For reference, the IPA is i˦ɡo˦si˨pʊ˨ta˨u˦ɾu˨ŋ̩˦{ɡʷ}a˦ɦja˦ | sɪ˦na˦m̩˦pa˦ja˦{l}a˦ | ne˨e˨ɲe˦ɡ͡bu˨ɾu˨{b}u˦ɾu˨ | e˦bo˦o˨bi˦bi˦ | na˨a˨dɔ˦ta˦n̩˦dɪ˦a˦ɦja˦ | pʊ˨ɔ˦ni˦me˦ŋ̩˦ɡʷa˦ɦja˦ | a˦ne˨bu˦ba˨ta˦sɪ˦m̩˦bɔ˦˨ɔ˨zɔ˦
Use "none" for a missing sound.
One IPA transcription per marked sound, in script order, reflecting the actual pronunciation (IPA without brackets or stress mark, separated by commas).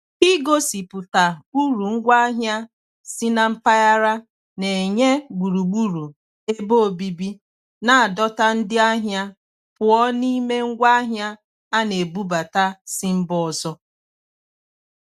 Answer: ɡʷ, ɾ, ɡ͡b